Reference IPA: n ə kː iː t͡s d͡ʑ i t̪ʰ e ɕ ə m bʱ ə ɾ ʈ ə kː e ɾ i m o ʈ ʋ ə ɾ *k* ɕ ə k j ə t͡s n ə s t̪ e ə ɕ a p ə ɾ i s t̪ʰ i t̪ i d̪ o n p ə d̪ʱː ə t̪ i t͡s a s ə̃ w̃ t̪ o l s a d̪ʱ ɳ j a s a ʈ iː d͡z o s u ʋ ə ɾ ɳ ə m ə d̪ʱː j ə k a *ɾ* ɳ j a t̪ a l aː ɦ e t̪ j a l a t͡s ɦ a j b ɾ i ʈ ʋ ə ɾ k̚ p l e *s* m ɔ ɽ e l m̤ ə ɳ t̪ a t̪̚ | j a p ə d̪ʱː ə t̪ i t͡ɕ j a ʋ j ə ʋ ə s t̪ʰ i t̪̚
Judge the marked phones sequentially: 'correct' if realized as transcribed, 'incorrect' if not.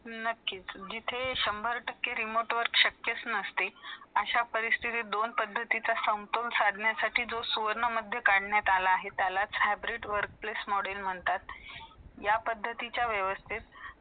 correct, incorrect: ɽ, correct

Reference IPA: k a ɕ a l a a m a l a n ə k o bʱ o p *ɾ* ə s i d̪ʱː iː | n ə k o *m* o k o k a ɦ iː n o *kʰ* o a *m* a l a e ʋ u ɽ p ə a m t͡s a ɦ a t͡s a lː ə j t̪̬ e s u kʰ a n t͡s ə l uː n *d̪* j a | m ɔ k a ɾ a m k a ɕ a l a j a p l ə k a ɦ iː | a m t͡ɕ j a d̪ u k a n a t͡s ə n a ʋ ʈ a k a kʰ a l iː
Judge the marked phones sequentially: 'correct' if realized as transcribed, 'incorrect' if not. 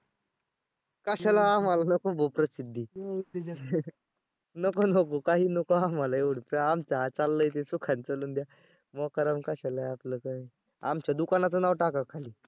correct, incorrect: n, incorrect: k, correct, correct

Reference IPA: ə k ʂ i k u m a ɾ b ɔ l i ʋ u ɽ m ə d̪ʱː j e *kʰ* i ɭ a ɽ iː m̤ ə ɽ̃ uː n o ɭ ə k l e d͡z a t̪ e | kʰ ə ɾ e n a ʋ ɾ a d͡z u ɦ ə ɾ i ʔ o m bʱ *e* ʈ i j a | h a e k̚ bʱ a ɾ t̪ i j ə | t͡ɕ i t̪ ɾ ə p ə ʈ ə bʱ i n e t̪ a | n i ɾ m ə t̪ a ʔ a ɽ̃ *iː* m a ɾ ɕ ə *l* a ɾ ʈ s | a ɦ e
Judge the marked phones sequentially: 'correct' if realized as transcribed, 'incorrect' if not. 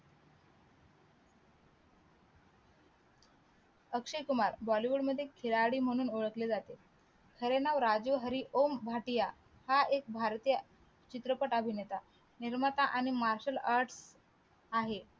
correct, incorrect: a, incorrect: i, correct

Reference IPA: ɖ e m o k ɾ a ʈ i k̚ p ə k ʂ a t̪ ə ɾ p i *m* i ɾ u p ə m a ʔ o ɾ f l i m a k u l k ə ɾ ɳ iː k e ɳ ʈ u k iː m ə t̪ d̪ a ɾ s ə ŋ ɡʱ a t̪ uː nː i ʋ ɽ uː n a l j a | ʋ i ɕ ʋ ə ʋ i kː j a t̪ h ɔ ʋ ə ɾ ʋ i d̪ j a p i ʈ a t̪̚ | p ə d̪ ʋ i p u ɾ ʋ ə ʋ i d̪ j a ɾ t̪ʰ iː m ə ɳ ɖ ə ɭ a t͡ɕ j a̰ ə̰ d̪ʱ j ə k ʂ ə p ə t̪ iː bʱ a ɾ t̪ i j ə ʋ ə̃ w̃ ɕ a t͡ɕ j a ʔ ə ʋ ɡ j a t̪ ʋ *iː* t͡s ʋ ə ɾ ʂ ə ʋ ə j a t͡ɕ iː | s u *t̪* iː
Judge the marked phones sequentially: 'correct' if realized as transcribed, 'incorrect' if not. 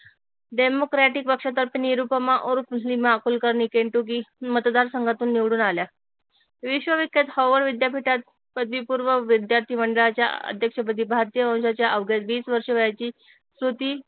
incorrect: n, correct, correct

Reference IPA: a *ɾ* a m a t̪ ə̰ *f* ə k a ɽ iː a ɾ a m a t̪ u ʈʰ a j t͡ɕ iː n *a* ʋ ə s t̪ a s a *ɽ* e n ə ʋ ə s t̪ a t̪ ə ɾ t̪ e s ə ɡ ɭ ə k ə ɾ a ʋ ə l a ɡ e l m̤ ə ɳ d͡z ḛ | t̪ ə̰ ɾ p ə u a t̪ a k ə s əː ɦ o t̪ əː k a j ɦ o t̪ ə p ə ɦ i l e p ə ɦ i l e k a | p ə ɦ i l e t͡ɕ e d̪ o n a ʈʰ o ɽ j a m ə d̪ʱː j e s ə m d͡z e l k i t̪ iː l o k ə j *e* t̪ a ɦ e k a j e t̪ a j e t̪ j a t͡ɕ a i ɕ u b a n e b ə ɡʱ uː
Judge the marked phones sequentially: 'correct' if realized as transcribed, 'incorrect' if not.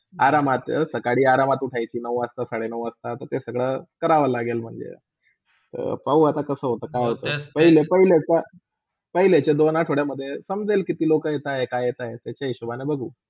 correct, incorrect: s, incorrect: ə, correct, correct

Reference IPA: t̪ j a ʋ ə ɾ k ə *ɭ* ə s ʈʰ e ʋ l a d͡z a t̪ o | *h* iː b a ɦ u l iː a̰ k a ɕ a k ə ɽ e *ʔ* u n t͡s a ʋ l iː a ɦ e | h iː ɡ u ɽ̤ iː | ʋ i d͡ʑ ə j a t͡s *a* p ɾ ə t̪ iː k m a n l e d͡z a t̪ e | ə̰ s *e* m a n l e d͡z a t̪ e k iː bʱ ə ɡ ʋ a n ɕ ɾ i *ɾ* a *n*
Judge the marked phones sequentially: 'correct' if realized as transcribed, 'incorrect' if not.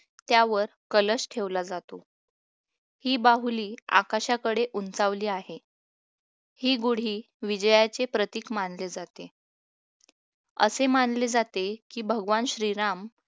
incorrect: l, correct, correct, incorrect: e, correct, correct, incorrect: m

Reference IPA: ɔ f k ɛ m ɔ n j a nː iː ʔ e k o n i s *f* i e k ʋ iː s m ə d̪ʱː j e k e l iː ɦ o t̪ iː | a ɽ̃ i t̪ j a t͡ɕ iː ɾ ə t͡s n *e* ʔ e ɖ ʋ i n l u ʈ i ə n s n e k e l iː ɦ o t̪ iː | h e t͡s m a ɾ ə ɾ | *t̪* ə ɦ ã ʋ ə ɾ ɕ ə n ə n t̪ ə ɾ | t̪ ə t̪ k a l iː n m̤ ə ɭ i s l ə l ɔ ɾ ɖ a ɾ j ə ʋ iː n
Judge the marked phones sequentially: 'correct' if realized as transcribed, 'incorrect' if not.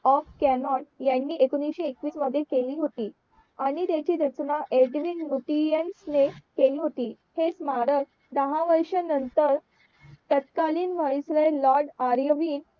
incorrect: ɕ, incorrect: a, incorrect: d̪

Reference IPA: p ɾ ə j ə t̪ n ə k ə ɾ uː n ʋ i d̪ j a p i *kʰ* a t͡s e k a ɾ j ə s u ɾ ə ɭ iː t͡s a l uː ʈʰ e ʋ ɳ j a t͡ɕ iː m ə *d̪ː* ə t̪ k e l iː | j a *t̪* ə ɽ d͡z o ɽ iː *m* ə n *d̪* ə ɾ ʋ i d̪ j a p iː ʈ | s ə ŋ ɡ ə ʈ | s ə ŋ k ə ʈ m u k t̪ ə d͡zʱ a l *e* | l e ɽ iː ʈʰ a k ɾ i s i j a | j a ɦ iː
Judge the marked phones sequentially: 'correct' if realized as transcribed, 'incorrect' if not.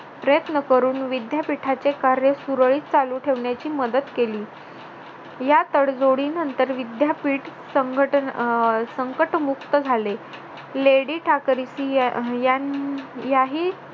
incorrect: ʈʰ, incorrect: d̪, correct, incorrect: n, incorrect: t̪, correct

